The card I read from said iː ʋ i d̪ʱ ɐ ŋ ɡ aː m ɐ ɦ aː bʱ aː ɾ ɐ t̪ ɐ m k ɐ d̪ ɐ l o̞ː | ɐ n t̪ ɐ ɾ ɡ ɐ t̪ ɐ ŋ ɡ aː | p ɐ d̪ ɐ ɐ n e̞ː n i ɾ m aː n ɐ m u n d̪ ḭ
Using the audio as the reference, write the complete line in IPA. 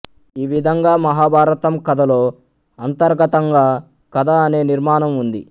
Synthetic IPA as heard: iː ʋ i d̪ʱ ɐ ŋ ɡ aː m ɐ ɦ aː bʱ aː ɾ ɐ t̪ ɐ m k ɐ d̪ ɐ l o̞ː | ɐ n t̪ ɐ ɾ ɡ ɐ t̪ ɐ ŋ ɡ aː | k ɐ d̪ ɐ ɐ n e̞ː n i ɾ m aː n ɐ m u n d̪ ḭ